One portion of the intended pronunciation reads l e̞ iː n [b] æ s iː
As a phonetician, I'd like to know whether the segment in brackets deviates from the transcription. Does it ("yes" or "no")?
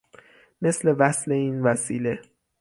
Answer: yes